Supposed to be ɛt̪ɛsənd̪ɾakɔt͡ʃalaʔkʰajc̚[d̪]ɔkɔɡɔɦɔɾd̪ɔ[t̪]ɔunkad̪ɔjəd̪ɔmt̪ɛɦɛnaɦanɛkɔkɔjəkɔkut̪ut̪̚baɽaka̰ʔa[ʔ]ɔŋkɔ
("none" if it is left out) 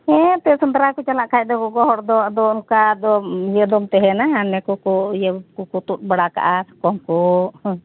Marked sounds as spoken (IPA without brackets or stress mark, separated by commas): d̪, d̪, k